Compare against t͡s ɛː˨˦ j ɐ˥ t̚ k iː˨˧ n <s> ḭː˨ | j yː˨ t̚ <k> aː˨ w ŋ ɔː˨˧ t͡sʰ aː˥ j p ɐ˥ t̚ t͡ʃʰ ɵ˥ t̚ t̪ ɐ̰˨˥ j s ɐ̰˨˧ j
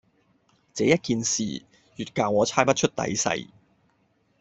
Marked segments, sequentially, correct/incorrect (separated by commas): correct, correct